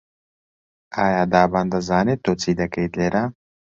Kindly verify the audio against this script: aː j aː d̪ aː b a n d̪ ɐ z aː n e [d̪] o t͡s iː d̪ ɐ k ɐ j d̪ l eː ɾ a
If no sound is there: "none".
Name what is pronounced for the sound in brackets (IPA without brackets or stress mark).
t̪